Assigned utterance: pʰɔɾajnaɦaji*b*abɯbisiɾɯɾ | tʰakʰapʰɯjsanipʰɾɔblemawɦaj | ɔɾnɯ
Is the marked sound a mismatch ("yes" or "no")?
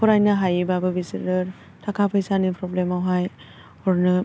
no